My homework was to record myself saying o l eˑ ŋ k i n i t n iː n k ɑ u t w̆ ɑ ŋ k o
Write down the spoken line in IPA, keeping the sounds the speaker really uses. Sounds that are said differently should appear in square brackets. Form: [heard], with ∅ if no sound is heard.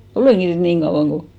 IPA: o l eˑ ŋ k i n [y] t n iː [ŋ] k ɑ u [∅] w̆ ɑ ŋ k o